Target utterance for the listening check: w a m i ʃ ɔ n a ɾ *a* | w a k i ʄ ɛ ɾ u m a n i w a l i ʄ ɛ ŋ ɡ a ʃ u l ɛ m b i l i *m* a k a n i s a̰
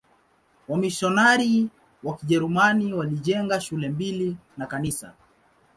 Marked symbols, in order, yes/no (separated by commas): no, no